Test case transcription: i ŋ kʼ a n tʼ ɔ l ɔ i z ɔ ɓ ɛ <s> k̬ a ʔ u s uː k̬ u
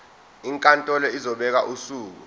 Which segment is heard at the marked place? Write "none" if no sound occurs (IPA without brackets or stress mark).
none